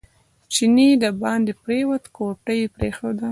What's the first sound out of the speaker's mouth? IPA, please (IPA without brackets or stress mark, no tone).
t͡ʃ